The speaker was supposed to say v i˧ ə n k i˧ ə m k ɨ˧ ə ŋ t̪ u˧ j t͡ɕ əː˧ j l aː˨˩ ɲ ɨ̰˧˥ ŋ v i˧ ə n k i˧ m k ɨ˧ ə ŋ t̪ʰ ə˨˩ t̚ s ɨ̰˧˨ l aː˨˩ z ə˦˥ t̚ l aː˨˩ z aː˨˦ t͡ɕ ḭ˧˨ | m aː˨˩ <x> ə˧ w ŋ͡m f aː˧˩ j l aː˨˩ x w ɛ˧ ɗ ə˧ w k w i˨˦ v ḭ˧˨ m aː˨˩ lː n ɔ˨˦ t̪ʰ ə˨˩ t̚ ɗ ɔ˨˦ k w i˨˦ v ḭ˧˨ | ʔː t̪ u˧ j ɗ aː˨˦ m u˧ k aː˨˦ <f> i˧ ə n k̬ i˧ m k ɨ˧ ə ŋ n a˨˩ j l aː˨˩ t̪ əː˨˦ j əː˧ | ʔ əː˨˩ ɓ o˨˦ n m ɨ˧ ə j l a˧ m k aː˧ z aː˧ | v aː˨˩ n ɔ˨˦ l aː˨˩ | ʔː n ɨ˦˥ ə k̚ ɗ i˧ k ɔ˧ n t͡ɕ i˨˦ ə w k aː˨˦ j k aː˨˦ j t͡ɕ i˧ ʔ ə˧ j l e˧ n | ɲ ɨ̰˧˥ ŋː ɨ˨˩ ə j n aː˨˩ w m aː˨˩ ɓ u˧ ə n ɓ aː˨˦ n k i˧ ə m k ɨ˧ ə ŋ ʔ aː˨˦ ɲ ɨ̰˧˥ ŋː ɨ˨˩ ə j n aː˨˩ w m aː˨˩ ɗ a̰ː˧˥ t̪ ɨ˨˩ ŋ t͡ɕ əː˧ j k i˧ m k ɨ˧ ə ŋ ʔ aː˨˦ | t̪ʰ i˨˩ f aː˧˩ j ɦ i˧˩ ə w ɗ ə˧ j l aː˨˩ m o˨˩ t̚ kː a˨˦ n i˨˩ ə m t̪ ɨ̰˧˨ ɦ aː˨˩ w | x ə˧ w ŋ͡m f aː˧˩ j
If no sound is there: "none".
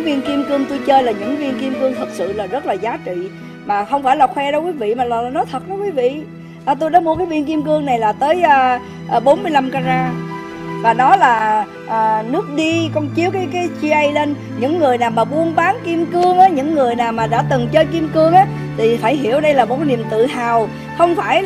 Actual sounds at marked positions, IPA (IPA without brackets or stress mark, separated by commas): x, v